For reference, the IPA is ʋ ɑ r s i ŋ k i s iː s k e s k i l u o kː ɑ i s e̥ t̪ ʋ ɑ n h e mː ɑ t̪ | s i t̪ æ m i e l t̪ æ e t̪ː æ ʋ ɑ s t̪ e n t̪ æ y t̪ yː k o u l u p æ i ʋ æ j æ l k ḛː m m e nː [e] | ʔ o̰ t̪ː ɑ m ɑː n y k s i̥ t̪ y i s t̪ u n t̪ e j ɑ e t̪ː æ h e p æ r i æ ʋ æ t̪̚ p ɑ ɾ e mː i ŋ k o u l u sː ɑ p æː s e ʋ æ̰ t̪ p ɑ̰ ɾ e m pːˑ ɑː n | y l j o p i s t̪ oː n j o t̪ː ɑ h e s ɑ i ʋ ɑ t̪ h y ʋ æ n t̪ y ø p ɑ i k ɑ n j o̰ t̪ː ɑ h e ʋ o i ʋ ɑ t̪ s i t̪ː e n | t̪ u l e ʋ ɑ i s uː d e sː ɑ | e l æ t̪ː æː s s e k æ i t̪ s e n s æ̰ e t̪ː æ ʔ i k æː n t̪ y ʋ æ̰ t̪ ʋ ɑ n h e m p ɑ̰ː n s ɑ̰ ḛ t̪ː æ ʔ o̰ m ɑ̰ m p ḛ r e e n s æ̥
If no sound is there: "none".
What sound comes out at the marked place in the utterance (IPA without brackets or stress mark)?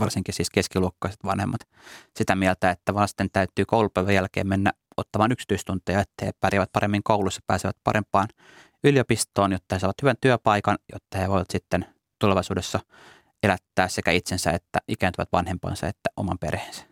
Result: æ